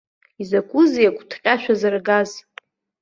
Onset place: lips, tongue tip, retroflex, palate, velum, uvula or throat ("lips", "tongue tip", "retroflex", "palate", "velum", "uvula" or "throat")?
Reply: tongue tip